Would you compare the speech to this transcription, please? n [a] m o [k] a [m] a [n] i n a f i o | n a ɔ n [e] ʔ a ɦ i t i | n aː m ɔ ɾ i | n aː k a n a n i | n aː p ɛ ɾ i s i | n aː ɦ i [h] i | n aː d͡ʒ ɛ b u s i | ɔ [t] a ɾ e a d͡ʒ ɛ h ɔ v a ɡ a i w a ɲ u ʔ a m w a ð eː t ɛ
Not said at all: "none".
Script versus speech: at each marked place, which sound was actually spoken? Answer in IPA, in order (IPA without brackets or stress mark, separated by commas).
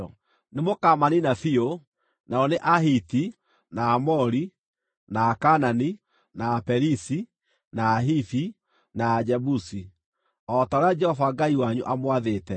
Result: e, k, m, n, e, θ, t